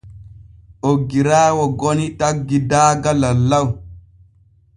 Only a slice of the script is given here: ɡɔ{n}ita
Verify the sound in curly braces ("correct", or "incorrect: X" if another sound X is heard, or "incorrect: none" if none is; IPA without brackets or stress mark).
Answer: correct